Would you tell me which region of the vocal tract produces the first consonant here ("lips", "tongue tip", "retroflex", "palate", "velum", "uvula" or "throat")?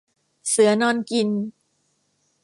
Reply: tongue tip